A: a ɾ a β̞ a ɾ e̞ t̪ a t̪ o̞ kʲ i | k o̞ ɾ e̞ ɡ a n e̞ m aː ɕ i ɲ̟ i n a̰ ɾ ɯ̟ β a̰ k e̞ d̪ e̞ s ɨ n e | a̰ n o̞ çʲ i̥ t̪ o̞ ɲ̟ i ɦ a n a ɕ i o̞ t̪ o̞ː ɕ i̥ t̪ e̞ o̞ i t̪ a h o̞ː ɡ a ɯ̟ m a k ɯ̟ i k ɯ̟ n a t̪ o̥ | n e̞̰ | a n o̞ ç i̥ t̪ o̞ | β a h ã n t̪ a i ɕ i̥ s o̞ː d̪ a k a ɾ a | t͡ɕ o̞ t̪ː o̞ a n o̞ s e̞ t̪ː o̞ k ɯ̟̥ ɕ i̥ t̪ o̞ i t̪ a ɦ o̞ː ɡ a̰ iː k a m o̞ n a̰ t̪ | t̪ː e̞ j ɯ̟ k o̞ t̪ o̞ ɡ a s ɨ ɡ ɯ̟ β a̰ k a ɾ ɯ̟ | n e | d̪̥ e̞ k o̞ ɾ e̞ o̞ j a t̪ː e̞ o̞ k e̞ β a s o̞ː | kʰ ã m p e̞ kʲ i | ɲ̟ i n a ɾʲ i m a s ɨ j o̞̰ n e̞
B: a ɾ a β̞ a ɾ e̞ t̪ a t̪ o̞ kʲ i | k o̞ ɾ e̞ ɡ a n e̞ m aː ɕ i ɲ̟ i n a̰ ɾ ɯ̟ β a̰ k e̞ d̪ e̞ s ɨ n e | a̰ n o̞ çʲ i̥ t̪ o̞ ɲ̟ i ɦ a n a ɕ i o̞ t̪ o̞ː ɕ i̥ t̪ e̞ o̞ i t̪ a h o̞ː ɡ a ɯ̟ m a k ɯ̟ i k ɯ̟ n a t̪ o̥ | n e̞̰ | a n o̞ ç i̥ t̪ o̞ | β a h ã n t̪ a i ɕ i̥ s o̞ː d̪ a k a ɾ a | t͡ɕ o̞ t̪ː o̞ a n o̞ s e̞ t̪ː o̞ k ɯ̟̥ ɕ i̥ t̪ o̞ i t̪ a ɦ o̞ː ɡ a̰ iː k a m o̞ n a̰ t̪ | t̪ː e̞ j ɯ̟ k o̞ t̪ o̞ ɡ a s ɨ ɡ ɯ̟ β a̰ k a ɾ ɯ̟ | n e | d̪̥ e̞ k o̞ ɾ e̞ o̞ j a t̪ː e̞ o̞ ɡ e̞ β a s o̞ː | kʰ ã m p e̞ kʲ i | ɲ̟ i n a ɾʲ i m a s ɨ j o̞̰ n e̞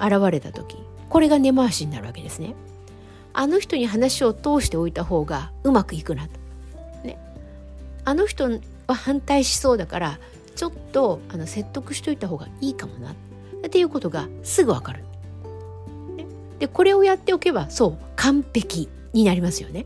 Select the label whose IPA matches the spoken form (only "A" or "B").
A